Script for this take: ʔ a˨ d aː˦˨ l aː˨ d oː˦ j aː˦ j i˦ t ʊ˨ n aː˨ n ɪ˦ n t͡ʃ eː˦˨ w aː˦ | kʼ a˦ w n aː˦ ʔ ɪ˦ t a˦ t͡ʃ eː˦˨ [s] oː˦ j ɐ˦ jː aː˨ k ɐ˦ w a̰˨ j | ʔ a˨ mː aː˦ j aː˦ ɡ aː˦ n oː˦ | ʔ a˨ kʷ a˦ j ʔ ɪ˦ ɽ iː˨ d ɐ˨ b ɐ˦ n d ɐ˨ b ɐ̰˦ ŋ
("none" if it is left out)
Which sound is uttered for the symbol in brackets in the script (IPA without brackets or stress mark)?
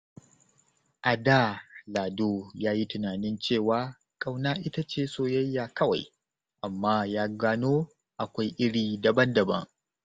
s